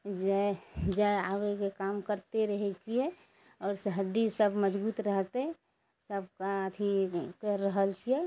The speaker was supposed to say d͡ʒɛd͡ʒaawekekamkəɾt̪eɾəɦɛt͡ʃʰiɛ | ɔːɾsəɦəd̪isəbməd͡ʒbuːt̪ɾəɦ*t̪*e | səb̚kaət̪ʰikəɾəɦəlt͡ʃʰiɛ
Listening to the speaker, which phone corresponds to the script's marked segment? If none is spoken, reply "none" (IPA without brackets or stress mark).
t̪